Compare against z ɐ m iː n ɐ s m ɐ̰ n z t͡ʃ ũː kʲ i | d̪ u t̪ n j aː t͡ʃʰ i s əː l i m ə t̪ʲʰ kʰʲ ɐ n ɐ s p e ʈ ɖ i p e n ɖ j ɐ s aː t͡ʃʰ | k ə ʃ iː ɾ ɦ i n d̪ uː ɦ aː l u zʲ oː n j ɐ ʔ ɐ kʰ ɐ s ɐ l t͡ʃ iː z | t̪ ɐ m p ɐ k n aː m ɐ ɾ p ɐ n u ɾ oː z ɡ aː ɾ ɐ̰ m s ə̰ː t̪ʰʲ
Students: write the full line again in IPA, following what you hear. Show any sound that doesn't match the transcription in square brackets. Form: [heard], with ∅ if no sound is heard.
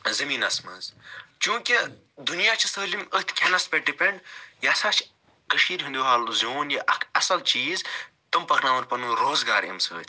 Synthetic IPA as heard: z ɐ m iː n ɐ s m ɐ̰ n z t͡ʃ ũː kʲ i | d̪ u [∅] n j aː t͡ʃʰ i s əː l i m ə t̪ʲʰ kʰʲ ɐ n ɐ s p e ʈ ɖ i p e [ɳ] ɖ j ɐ s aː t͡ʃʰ | k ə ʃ iː ɾ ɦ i n d̪ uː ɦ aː l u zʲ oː n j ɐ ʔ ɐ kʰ ɐ s ɐ l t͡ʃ iː z | t̪ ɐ m p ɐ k n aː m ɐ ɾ p ɐ n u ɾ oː z ɡ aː ɾ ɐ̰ m s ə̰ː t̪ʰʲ